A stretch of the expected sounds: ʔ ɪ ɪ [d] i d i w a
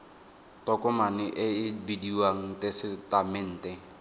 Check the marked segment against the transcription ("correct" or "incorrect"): incorrect